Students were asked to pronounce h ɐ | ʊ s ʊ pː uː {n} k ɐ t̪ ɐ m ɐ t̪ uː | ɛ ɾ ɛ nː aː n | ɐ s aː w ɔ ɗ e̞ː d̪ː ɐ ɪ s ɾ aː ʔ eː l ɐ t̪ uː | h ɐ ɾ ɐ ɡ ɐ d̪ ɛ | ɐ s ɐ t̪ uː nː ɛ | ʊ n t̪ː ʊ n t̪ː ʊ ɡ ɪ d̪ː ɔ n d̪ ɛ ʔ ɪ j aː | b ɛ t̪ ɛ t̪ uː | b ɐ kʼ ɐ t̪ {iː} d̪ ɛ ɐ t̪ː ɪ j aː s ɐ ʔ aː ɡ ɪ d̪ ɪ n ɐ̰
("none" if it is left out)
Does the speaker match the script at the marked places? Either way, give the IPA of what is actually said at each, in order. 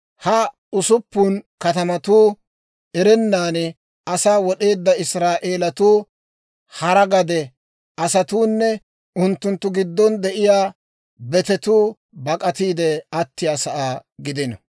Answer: n, iː

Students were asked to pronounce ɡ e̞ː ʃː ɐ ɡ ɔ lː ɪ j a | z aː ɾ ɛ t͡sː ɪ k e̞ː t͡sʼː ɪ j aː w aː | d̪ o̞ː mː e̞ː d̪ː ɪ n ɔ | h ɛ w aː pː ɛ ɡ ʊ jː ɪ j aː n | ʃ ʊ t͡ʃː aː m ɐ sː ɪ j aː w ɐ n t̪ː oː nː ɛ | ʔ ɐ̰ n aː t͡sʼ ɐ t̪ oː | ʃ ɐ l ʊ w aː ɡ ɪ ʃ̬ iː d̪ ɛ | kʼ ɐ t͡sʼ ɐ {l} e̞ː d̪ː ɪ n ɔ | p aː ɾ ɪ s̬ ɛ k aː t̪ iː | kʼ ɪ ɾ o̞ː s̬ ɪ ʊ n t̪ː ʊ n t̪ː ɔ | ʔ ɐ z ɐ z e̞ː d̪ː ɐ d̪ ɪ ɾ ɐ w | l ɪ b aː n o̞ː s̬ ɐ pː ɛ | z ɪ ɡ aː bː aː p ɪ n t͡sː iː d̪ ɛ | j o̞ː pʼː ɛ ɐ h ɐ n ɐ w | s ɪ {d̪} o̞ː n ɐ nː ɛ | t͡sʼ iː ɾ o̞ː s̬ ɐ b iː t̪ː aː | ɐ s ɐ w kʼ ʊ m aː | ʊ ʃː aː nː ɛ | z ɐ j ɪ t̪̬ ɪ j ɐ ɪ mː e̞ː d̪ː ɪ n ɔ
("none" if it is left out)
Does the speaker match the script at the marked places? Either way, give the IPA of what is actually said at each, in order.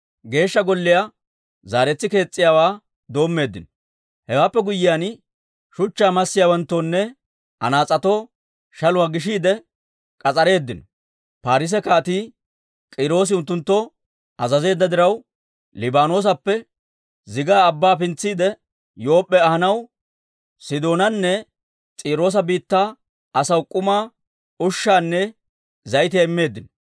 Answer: ɾ, d̪

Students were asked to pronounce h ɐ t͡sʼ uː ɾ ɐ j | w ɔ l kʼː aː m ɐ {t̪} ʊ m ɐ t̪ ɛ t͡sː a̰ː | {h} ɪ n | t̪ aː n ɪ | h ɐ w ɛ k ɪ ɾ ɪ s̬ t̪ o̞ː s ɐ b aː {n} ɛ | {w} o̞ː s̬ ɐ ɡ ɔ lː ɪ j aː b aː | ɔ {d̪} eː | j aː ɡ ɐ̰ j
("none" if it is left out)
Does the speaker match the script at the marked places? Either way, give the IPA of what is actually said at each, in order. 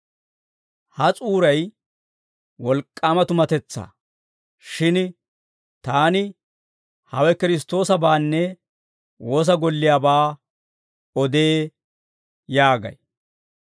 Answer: t̪, ʃ, nː, w, d̪

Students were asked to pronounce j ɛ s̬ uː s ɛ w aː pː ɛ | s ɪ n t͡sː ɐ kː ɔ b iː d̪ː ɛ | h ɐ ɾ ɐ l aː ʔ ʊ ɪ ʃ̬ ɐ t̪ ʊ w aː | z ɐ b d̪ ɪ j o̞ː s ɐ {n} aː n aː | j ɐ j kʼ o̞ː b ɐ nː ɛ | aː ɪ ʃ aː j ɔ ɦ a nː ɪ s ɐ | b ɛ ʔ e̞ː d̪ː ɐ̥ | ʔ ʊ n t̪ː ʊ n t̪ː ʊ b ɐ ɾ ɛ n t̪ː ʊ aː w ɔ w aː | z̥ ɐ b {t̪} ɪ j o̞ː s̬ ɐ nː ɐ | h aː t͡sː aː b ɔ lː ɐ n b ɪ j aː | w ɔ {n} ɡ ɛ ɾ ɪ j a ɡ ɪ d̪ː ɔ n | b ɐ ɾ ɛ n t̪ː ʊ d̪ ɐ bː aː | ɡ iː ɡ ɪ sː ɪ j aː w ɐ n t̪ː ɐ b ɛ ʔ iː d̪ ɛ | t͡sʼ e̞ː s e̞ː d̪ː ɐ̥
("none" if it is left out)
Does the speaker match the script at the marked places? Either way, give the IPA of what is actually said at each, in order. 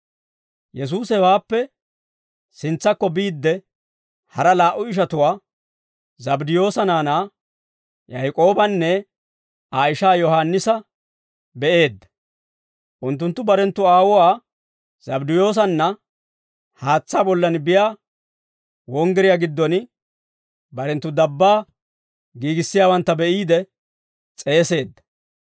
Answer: n, d̪, ŋ

